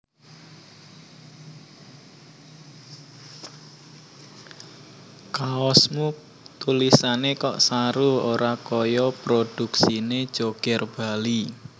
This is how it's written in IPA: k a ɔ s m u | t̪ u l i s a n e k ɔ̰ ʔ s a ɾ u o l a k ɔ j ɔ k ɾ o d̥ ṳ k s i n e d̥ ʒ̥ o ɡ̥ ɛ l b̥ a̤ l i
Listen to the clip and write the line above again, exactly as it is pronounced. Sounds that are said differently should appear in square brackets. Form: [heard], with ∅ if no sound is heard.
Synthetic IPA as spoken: k a ɔ s m u | t̪ u l i s a n e k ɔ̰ ʔ s a ɾ u o [ɾ] a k ɔ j ɔ [p] ɾ o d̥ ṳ k s i n e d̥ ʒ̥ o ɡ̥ ɛ [r] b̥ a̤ l i